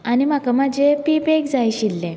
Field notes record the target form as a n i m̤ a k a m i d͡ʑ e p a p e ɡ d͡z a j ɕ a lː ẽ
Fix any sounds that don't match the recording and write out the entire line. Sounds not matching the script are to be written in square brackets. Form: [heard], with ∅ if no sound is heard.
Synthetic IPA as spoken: a n i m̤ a k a m [a] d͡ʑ e p [i] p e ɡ d͡z a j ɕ [i] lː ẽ